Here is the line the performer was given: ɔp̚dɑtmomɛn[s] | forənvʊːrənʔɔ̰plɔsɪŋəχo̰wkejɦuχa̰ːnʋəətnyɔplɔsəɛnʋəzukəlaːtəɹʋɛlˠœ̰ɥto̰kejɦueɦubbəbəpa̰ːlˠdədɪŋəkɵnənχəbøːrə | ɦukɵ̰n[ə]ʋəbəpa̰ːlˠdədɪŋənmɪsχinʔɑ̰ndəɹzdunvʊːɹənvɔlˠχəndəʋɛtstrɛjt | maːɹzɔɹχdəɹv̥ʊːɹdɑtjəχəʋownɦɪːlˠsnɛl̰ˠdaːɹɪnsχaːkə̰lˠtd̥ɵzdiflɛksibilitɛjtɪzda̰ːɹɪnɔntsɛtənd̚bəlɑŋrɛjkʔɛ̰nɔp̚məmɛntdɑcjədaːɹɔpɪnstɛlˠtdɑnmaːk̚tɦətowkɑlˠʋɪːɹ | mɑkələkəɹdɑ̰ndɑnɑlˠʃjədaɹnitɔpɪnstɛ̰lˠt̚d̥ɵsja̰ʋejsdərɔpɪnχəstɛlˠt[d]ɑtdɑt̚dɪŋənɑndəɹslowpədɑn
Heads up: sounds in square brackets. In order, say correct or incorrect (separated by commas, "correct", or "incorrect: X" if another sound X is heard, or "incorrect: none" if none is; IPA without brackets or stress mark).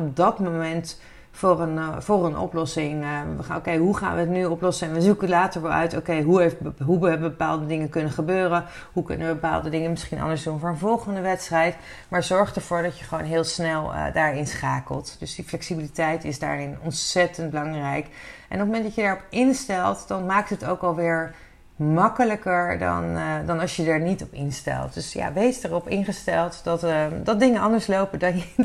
incorrect: t, correct, correct